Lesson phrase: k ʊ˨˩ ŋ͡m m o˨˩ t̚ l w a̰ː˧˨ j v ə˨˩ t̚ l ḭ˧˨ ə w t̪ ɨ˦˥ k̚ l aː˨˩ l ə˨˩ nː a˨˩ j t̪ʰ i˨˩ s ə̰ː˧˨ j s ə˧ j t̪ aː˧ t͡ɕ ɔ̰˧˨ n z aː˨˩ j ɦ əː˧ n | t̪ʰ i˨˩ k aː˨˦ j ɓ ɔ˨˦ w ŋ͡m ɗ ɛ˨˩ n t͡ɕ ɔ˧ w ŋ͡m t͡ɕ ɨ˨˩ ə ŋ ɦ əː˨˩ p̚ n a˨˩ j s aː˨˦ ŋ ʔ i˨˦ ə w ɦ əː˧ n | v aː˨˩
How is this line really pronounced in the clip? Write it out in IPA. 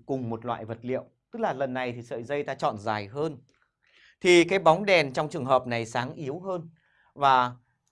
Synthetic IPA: k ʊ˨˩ ŋ͡m m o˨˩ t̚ l w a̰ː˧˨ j v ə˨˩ t̚ l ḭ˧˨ ə w t̪ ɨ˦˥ k̚ l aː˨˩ l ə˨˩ nː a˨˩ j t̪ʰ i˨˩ s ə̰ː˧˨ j z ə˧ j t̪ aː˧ t͡ɕ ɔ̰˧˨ n z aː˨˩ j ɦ əː˧ n | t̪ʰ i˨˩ k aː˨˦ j ɓ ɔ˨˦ w ŋ͡m ɗ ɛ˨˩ n t͡ɕ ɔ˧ w ŋ͡m t͡ɕ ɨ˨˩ ə ŋ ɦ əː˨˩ p̚ n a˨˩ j s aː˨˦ ŋ ʔ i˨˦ ə w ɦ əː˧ n | v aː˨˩